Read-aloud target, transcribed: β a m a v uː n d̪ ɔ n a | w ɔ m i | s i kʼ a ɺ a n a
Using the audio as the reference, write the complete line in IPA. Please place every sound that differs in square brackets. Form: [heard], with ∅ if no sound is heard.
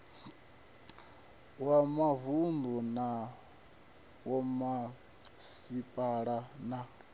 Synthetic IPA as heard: [w] a m a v [u] n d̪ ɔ n a | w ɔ m [a] | s i [pʼ] a ɺ a n a